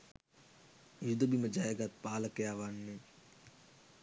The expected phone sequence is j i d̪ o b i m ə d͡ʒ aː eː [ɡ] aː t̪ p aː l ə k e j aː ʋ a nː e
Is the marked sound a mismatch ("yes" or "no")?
no